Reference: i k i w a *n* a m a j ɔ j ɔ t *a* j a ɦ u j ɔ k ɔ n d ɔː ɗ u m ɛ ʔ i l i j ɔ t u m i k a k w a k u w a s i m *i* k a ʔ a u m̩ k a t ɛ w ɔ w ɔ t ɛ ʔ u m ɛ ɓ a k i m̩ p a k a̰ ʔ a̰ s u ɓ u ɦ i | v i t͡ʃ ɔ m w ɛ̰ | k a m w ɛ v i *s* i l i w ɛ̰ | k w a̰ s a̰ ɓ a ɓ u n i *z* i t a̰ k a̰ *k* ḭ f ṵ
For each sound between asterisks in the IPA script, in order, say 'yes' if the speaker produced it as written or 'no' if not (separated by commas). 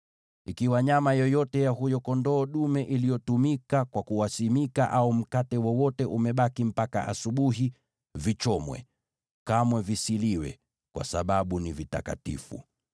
no, no, yes, yes, no, no